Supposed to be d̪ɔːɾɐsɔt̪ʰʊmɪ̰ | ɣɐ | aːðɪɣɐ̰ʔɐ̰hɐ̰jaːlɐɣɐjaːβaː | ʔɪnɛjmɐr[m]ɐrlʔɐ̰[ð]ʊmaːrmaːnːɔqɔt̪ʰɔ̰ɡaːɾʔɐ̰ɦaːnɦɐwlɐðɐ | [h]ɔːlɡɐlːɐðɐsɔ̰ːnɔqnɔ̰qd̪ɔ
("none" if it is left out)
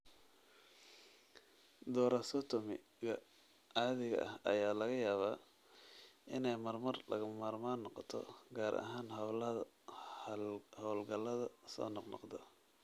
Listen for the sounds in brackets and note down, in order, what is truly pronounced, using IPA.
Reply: m, ɣ, h

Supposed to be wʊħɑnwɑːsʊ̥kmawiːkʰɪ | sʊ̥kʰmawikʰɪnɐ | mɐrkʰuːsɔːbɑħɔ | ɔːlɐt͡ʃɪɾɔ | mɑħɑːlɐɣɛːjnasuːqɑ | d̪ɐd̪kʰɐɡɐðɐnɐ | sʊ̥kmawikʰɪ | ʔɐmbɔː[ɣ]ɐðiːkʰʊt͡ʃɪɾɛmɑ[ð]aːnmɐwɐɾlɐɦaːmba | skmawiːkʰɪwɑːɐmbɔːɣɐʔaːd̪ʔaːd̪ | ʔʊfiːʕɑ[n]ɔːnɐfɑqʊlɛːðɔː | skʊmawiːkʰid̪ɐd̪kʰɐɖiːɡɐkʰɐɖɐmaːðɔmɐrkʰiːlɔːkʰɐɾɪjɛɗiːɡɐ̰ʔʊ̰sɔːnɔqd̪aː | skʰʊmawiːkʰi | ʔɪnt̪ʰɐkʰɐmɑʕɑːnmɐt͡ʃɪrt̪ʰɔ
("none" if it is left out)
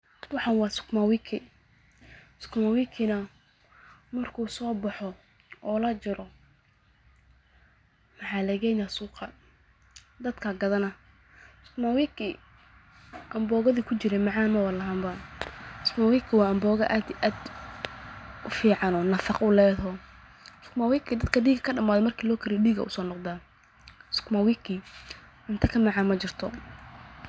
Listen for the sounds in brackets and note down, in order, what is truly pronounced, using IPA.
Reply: ɣ, ʕ, n

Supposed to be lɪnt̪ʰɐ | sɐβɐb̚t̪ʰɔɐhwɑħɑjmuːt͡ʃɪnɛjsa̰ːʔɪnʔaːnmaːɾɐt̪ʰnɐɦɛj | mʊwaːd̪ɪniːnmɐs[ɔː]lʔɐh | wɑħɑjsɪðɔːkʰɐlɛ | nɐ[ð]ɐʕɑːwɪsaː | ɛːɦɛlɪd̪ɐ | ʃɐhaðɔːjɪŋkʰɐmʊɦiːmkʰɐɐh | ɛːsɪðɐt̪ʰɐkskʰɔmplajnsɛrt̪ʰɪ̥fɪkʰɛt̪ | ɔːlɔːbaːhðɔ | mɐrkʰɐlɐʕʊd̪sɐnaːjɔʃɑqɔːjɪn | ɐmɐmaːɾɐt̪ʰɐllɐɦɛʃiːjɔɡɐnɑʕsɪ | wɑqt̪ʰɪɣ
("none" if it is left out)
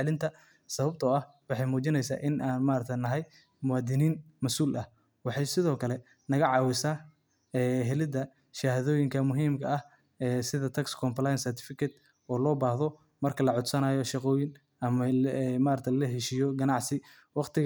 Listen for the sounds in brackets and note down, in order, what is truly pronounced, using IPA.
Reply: uː, ɣ

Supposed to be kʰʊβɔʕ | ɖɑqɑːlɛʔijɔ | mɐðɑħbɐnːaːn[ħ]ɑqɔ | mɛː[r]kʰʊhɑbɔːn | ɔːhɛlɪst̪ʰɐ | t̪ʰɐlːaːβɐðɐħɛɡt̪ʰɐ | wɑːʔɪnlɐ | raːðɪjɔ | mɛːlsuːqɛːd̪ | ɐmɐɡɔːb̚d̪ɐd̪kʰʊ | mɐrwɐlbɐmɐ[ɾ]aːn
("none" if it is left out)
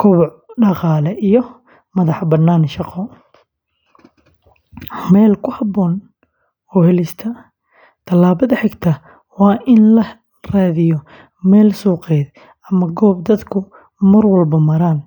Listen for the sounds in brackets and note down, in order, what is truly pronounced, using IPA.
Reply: ʃ, l, ɾ

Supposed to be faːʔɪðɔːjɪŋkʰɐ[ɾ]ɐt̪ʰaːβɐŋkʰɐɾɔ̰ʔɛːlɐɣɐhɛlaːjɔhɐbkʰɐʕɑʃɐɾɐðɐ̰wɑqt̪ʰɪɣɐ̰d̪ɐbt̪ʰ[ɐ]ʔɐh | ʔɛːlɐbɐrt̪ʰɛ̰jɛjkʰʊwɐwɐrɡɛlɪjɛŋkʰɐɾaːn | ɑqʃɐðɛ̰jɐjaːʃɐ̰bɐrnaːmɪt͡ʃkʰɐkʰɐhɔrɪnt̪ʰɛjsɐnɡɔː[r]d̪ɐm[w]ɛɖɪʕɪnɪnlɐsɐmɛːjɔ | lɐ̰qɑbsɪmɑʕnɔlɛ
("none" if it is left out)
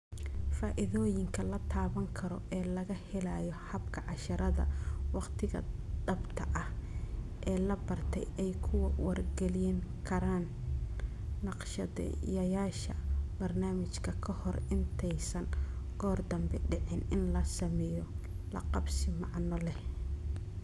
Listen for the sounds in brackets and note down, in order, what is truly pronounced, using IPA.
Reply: l, ɐ, r, b

